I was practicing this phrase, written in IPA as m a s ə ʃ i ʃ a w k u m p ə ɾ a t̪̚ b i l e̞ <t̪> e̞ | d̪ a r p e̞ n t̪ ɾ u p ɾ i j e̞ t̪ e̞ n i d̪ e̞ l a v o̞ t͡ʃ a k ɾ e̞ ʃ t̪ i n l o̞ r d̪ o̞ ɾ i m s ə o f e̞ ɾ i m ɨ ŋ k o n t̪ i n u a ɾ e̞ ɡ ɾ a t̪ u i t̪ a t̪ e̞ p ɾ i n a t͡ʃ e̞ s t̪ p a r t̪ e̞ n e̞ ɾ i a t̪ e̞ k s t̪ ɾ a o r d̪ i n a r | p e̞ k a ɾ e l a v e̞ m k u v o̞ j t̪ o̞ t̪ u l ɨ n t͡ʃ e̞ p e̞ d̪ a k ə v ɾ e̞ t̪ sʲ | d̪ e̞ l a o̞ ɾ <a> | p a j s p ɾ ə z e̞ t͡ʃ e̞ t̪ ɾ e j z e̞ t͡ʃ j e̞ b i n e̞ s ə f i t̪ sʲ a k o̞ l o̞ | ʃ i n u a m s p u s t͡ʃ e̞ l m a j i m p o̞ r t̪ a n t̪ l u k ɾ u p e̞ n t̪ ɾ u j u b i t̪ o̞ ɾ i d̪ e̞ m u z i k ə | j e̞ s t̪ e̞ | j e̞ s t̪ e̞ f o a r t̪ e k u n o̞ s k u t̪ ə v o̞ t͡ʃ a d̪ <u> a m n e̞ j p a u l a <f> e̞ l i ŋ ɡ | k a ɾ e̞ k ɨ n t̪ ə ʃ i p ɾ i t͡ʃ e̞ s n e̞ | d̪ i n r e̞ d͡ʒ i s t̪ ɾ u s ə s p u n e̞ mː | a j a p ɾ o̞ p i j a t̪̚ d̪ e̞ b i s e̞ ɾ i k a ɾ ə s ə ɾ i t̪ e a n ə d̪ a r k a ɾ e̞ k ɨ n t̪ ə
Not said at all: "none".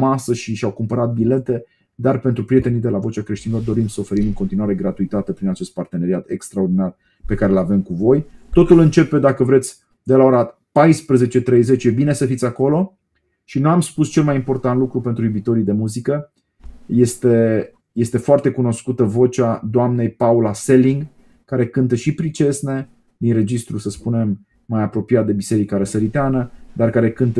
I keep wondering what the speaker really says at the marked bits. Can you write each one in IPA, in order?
t̪, a, o, s

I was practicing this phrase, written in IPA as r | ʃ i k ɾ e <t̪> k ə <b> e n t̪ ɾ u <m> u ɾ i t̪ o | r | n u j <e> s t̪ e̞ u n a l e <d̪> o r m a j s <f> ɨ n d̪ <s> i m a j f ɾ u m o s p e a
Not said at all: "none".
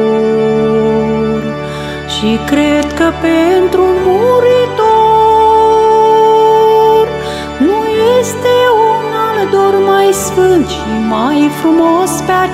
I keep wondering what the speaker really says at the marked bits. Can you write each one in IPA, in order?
d̪, p, m, e, d̪, f, ʃ

